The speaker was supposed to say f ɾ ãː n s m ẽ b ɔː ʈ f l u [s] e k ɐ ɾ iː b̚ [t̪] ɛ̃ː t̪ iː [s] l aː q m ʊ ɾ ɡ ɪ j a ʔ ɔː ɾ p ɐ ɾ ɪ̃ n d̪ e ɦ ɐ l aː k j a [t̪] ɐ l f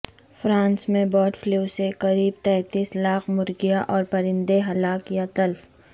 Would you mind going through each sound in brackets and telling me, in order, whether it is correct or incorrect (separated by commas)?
correct, correct, correct, correct